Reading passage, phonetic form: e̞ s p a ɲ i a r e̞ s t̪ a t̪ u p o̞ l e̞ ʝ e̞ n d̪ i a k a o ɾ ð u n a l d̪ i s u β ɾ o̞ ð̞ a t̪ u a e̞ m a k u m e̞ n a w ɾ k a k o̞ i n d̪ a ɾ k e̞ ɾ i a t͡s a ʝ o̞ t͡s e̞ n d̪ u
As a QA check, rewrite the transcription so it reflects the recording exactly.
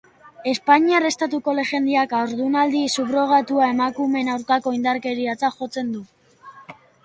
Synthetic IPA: e̞ s p a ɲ i a r e̞ s t̪ a t̪ u k o̞ l e̞ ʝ e̞ n d̪ i a k a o ɾ ð u n a l d̪ i s u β ɾ o̞ ɣ̞ a t̪ u a e̞ m a k u m e̞ n a w ɾ k a k o̞ i n d̪ a ɾ k e̞ ɾ i a t͡s a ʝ o̞ t͡s e̞ n d̪ u